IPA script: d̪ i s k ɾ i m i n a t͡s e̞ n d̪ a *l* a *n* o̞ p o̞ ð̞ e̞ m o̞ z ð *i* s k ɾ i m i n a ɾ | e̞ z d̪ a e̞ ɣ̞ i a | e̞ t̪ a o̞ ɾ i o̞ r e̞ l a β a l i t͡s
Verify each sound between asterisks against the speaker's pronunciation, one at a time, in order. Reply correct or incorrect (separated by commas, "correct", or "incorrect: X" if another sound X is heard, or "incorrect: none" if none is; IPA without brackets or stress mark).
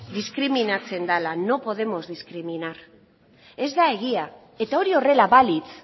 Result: correct, correct, correct